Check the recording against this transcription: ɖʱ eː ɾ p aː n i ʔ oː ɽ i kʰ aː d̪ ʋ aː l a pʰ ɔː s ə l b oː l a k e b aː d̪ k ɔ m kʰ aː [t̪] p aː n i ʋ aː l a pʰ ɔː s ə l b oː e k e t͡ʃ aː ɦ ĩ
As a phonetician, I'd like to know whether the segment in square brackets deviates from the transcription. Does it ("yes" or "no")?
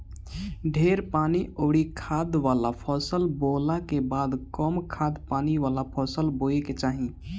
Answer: yes